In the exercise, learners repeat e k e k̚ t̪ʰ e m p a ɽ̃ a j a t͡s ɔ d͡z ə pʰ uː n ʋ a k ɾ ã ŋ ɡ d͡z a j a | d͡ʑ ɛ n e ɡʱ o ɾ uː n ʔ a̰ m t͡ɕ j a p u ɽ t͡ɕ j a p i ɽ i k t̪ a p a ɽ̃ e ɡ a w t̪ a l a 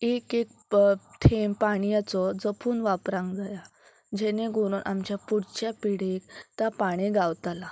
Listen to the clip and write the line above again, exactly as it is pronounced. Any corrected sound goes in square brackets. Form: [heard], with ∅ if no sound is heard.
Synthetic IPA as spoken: e k e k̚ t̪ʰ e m p a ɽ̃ [i] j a t͡s ɔ d͡z ə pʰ uː n ʋ a [p] ɾ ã ŋ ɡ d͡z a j a | d͡ʑ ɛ n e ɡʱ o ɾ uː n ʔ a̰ m t͡ɕ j a p u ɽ t͡ɕ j a p i ɽ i k t̪ a p a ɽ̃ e ɡ a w t̪ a l a